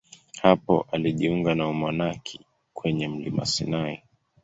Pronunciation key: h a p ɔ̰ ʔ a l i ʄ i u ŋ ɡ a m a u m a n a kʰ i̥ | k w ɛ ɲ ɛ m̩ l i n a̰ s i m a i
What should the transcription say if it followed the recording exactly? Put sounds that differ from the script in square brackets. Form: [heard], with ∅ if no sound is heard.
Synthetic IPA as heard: h a p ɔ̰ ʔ a l i ʄ i u ŋ ɡ a [n] a u m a n a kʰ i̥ | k w ɛ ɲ ɛ m̩ l i [m] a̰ s i [n] a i

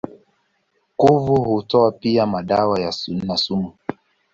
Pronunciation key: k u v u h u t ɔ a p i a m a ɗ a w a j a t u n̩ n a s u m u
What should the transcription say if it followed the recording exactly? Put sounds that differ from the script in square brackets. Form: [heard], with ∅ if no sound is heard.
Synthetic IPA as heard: k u v u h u t ɔ a p i a m a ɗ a w a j a [s] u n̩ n a s u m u

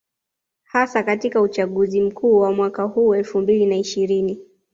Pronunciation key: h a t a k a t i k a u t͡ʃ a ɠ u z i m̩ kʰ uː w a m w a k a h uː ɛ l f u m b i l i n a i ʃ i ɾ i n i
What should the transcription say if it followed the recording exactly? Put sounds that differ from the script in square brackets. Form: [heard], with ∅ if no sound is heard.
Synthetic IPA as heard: h a [s] a k a t i k a u t͡ʃ a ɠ u z i m̩ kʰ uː w a m w a k a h uː ɛ l f u m b i l i n a i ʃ i ɾ i n i

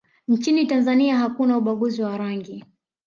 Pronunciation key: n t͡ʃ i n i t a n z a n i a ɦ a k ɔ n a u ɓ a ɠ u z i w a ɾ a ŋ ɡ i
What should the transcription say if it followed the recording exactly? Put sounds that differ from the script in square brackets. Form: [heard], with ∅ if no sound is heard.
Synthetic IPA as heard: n t͡ʃ i n i t a n z a n i a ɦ a k [u] n a u ɓ a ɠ u z i w a ɾ a ŋ ɡ i

